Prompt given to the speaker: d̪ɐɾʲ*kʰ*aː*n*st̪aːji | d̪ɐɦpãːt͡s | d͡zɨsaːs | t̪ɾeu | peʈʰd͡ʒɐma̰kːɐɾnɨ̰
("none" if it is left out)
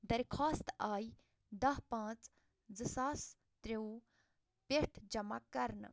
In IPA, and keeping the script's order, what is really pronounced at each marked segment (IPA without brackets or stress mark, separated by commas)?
kʰ, none